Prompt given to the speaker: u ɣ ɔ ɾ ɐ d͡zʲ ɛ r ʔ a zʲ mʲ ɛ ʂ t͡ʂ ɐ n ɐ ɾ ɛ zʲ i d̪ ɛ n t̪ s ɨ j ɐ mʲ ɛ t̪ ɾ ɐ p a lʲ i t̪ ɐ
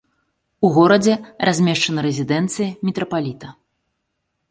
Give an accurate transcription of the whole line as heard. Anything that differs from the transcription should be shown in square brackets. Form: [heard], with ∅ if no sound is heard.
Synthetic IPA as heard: u ɣ ɔ ɾ ɐ d͡zʲ ɛ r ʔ a zʲ mʲ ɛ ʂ t͡ʂ ɐ n ɐ ɾ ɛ zʲ i d̪ ɛ n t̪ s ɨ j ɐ mʲ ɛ t̪ ɾ ɐ p a lʲ i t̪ ɐ

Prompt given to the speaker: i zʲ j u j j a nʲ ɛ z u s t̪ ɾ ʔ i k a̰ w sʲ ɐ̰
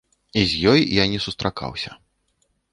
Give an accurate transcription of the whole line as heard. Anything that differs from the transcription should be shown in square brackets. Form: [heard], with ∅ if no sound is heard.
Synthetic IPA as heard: i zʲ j [ɔ] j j a nʲ ɛ [s] u s t̪ ɾ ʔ [a] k a̰ w sʲ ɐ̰

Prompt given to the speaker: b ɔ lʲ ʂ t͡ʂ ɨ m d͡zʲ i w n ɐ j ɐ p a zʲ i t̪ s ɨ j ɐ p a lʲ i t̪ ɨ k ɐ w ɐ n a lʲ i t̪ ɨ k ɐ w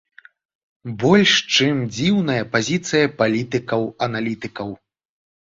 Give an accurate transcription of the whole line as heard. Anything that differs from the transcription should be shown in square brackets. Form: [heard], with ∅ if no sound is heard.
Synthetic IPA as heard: b ɔ lʲ ʂ t͡ʂ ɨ m d͡zʲ i w n ɐ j ɐ p a zʲ i t̪ s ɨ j ɐ p a lʲ i t̪ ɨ k ɐ w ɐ n a lʲ i t̪ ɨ k ɐ w

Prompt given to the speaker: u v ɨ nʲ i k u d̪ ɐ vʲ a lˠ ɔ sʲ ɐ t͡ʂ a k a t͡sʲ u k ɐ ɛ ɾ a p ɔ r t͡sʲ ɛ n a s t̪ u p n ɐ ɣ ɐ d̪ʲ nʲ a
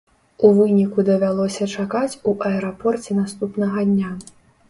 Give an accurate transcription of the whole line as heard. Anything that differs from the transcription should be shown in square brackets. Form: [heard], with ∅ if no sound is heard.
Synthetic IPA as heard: u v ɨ nʲ i k u d̪ ɐ vʲ a lˠ ɔ sʲ ɐ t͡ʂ a k a t͡sʲ u [ʔ] ɐ ɛ ɾ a p ɔ r t͡sʲ ɛ n a s t̪ u p n ɐ ɣ ɐ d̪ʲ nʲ a

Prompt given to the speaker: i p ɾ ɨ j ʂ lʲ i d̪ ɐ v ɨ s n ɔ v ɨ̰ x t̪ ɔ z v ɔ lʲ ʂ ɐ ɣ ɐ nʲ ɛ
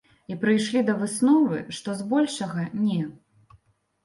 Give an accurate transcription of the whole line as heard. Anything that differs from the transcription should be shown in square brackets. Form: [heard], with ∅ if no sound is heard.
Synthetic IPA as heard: i p ɾ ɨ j ʂ lʲ i d̪ ɐ v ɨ s n ɔ v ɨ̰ [ʂ] t̪ ɔ z [b] ɔ lʲ ʂ ɐ ɣ ɐ nʲ ɛ

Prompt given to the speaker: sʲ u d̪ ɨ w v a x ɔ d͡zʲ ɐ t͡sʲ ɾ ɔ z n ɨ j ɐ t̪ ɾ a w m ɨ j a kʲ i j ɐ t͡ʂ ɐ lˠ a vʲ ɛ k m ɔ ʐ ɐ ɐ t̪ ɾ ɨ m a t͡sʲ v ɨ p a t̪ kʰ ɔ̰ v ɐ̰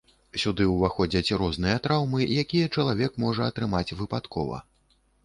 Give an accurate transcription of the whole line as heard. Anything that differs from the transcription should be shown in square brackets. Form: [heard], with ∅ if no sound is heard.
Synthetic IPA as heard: sʲ u d̪ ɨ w v a x ɔ d͡zʲ ɐ t͡sʲ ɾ ɔ z n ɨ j ɐ t̪ ɾ a w m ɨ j a kʲ i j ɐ t͡ʂ ɐ lˠ a vʲ ɛ k m ɔ ʐ ɐ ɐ t̪ ɾ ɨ m a t͡sʲ v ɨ p a t̪ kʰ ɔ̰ v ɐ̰

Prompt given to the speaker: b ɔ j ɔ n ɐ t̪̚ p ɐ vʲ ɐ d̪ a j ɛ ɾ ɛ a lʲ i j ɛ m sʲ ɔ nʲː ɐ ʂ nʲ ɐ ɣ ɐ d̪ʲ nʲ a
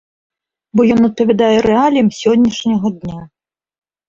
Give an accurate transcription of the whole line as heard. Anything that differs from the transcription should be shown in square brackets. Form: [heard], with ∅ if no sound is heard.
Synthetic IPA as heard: b ɔ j ɔ n ɐ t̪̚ p ɐ vʲ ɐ d̪ a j ɛ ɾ ɛ a lʲ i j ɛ m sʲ ɔ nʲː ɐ ʂ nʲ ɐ ɣ ɐ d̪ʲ nʲ a

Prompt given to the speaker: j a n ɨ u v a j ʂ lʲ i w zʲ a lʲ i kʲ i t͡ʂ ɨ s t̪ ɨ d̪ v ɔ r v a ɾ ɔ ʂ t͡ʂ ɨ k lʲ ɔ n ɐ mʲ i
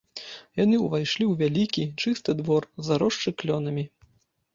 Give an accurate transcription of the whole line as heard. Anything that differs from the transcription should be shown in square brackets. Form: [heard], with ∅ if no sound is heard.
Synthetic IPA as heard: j a n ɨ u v a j ʂ lʲ i w [vʲ] a lʲ i kʲ i t͡ʂ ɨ s t̪ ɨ d̪ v ɔ r [z] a ɾ ɔ ʂ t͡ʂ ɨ k lʲ ɔ n ɐ mʲ i

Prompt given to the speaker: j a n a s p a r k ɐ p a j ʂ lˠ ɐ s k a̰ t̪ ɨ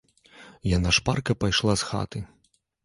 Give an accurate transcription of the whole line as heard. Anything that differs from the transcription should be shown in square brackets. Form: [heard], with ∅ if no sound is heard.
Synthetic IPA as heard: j a n a [ʂ] p a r k ɐ p a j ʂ lˠ [a] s [x] a̰ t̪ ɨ

